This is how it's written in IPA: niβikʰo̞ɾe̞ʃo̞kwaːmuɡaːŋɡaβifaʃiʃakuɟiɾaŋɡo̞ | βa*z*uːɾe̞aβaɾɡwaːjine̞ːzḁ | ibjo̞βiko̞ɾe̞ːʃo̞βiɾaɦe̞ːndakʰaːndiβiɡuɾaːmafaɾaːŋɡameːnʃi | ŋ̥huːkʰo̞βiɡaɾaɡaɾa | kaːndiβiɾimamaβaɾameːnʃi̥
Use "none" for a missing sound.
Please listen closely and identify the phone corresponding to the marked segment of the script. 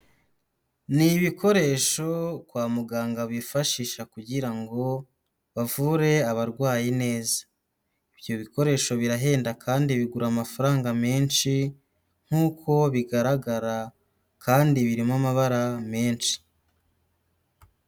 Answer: v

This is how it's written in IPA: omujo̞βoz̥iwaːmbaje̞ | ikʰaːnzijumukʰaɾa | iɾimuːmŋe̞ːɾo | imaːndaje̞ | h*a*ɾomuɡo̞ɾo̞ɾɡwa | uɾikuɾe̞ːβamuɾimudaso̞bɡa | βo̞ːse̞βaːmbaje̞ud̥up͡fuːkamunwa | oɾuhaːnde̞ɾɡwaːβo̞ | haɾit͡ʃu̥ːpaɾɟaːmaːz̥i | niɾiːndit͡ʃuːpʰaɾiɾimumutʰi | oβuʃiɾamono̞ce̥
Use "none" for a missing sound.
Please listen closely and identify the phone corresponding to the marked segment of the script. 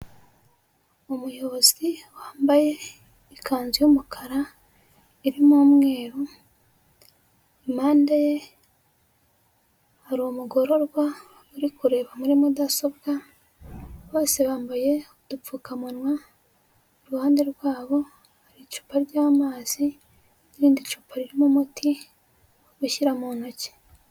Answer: a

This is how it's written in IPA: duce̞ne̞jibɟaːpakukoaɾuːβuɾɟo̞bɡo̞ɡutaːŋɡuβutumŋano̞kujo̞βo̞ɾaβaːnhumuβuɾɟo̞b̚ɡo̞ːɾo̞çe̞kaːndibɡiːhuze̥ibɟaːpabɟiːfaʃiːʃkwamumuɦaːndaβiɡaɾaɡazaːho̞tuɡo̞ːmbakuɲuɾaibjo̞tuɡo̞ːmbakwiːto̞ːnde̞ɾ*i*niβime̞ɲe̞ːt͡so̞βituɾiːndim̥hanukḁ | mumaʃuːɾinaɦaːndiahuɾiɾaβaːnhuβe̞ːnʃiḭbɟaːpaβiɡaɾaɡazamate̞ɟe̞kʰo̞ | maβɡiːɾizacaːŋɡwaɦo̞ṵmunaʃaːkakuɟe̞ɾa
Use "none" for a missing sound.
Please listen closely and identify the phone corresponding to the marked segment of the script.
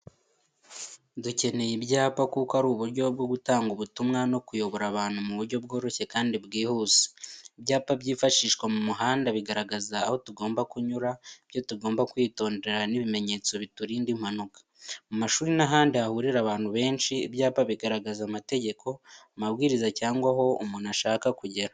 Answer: a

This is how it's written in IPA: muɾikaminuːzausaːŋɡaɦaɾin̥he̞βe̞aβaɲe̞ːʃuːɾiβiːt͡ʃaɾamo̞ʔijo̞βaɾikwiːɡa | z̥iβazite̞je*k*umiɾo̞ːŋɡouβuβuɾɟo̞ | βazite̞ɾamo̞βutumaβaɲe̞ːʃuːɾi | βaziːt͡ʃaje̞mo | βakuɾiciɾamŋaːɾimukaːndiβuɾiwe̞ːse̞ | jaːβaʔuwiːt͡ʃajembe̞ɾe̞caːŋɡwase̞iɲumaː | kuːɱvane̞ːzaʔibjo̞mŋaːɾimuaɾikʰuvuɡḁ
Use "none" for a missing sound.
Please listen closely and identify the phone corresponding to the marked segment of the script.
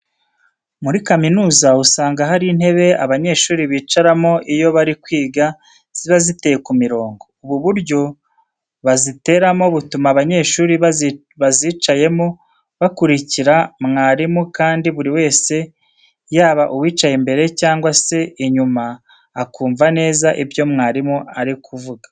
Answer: k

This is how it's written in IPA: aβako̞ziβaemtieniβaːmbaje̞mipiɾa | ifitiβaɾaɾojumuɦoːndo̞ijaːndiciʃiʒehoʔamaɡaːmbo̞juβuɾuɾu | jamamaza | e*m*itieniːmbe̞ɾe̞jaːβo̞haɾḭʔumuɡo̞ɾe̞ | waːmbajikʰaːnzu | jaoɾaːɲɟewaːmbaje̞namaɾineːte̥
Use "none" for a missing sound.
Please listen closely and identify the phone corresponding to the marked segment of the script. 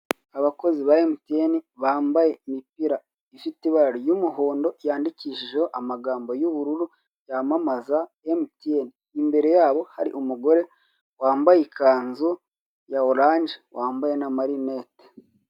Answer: m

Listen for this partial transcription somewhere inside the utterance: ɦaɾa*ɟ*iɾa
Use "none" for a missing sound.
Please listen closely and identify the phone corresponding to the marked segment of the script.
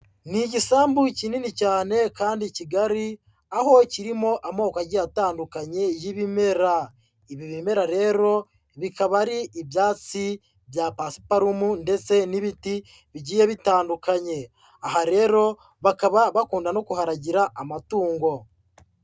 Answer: ɟ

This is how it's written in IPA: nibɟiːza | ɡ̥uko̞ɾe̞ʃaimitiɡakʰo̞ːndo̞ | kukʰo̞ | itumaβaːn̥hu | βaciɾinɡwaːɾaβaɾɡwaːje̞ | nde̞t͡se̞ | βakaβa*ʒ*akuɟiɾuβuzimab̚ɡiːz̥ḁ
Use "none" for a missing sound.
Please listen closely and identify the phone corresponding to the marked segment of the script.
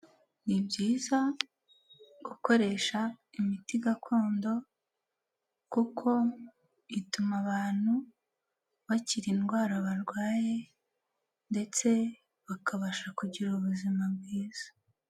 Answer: ʃ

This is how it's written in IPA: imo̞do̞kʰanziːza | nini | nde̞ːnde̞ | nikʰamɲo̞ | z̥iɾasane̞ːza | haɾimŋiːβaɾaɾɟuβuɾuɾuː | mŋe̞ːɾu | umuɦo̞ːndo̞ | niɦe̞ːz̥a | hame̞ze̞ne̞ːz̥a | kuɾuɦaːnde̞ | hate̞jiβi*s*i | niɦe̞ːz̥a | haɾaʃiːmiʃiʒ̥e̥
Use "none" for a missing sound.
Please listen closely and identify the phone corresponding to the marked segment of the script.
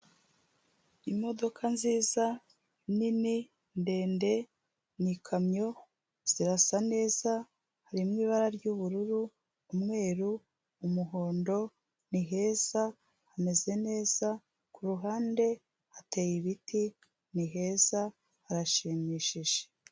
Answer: t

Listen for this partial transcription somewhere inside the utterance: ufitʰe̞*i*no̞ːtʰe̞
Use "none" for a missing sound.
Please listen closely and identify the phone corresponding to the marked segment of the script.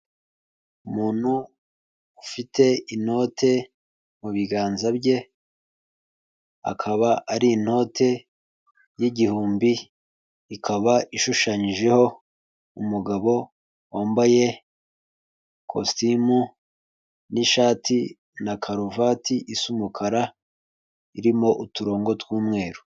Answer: i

